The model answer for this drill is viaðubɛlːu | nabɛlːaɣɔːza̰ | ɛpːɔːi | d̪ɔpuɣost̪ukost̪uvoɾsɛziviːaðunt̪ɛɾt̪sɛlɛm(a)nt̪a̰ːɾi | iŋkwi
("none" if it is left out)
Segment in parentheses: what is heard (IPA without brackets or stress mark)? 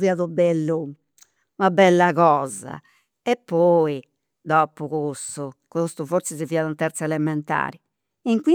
ɛ